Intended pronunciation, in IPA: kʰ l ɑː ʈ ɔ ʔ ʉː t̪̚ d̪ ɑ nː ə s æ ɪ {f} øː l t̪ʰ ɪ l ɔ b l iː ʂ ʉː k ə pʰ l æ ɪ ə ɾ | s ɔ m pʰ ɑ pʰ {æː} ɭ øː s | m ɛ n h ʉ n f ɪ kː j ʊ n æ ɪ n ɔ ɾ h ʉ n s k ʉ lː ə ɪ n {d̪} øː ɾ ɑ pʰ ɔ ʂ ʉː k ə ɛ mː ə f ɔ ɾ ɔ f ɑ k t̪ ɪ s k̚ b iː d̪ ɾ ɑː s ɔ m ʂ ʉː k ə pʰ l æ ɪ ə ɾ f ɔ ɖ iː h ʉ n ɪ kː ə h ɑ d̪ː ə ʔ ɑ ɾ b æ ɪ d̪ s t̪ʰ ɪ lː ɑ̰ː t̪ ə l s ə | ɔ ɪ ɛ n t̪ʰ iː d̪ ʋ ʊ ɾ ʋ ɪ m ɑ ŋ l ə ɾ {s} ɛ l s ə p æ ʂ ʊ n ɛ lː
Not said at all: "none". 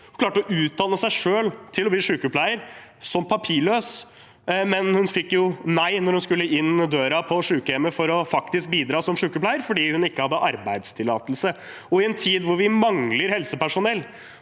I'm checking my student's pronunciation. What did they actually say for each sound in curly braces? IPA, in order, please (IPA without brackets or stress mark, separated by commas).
ʂ, iː, d̪, h